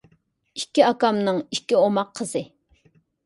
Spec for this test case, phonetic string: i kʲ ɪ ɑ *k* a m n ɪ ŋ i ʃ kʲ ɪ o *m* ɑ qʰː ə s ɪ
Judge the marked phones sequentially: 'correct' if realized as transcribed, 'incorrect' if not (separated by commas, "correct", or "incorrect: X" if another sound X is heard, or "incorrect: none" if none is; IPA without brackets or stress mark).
correct, correct